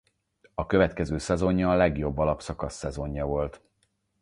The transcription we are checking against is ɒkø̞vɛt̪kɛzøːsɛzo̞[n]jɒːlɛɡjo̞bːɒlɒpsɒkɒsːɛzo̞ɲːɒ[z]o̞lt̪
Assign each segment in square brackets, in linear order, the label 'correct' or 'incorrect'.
incorrect, incorrect

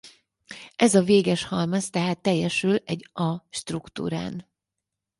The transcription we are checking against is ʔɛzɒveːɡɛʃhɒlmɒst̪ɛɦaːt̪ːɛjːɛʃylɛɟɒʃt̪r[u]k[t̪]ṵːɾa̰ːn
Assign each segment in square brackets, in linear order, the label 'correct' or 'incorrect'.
correct, correct

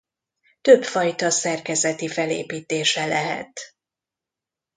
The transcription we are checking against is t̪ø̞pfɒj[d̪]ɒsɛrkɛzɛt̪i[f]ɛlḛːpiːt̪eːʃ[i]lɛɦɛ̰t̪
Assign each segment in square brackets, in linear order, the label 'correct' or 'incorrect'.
incorrect, correct, incorrect

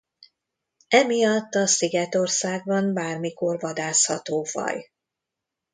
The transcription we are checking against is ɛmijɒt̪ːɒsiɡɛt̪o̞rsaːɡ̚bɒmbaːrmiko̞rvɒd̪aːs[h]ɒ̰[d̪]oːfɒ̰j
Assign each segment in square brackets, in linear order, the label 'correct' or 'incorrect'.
correct, incorrect

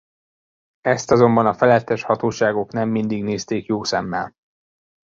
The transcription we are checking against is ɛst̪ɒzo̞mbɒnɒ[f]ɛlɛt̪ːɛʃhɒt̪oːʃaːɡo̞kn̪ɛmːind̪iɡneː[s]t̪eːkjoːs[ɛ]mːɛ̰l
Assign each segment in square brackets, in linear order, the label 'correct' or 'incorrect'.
correct, correct, correct

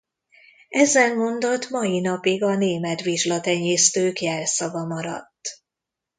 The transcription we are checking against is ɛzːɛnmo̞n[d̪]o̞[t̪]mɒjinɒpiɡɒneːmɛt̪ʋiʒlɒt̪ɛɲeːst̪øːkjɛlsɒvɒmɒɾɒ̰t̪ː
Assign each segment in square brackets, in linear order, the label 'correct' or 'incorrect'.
correct, correct

